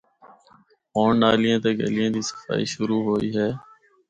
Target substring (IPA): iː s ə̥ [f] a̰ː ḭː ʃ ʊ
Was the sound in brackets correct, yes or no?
yes